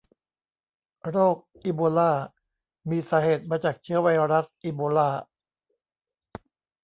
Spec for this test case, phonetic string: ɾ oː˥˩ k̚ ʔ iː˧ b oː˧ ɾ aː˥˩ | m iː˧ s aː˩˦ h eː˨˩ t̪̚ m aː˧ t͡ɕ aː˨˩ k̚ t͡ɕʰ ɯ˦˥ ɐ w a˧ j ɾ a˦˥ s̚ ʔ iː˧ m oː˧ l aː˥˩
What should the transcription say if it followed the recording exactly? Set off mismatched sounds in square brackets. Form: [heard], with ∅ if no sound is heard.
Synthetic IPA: ɾ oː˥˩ k̚ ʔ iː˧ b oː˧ [l] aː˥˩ | m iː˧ s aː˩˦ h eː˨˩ t̪̚ m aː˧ t͡ɕ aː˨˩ k̚ t͡ɕʰ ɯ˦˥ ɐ w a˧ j ɾ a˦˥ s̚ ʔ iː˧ [b] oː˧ l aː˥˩